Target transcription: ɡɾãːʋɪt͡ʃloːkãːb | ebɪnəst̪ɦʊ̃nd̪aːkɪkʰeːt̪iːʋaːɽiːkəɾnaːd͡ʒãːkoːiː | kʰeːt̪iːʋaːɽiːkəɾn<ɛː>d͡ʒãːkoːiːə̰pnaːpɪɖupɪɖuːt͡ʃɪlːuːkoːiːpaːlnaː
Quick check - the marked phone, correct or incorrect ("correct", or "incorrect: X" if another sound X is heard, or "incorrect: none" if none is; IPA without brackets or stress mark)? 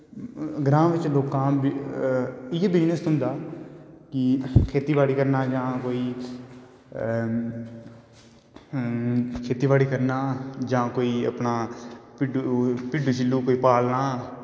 incorrect: aː